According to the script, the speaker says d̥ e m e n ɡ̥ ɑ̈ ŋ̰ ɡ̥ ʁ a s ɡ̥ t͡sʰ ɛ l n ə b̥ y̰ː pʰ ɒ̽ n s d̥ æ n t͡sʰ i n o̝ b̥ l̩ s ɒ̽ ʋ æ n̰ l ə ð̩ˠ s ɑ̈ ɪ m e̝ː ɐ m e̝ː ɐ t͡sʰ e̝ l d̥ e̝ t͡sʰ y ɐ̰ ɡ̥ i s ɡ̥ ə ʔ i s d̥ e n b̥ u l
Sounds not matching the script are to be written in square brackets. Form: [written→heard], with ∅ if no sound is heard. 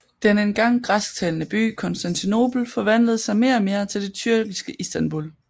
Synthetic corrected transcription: d̥ e [m→n] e n ɡ̥ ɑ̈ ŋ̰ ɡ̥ ʁ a s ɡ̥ t͡sʰ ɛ l n ə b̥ y̰ː [pʰ→kʰ] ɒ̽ n s d̥ æ n t͡sʰ i n o̝ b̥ l̩ [s→f] ɒ̽ ʋ æ n̰ l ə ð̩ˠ s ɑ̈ ɪ m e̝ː ɐ m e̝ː ɐ t͡sʰ e̝ l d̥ e̝ t͡sʰ y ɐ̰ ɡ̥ i s ɡ̥ ə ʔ i s d̥ [e→æ] n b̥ u l